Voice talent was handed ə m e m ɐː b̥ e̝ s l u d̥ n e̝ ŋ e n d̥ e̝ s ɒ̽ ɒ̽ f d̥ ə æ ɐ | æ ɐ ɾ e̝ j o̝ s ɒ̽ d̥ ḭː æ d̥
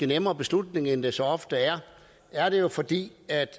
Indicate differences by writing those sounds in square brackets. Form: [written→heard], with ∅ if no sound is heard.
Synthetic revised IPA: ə [m→n] e m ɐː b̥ e̝ s l u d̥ n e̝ ŋ e n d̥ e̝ s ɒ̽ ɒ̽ f d̥ ə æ ɐ | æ ɐ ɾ e̝ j o̝ [s→f] ɒ̽ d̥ ḭː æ d̥